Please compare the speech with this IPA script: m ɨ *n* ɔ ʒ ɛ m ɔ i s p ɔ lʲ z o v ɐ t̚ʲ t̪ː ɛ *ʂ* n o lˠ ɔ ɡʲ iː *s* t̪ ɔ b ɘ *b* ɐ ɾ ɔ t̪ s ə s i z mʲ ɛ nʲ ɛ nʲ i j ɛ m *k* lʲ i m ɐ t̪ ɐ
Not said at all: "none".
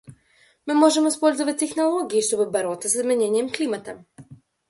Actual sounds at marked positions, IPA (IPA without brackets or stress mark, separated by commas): m, x, ʃ, b, k